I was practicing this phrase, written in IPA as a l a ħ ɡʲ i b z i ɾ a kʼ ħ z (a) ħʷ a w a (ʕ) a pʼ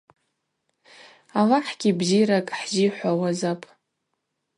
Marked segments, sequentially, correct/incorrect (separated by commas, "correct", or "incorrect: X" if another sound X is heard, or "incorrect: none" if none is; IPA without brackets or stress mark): incorrect: i, incorrect: z